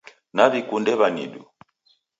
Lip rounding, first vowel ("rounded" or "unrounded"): unrounded